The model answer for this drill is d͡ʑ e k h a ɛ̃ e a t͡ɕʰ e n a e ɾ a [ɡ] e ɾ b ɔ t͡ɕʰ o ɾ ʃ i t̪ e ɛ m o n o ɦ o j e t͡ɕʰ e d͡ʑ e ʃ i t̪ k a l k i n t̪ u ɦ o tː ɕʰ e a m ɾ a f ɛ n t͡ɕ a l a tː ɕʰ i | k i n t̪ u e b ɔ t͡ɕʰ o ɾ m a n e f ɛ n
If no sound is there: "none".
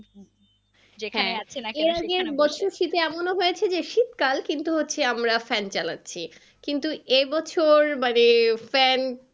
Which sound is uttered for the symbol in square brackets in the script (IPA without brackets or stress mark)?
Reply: ɡ